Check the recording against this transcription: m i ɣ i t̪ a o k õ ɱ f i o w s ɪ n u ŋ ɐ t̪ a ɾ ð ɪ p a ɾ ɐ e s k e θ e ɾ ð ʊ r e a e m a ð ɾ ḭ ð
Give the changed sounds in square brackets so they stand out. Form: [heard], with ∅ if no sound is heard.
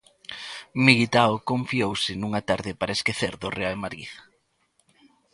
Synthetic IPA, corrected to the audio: m i ɣ i t̪ a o k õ ɱ f i o w s ɪ n u ŋ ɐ t̪ a ɾ ð ɪ p a ɾ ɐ e s k e θ e ɾ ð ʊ r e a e m a [∅] ɾ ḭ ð